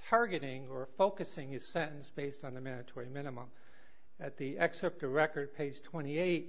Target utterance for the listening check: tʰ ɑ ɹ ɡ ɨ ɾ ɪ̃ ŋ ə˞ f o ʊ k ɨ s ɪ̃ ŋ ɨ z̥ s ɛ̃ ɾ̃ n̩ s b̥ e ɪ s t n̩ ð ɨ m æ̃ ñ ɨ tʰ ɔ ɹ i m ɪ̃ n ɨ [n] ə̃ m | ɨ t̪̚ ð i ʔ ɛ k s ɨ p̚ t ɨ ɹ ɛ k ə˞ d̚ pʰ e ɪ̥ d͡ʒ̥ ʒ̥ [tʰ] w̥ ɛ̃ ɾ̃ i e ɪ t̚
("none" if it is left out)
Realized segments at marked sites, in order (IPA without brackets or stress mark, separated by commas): m, tʰ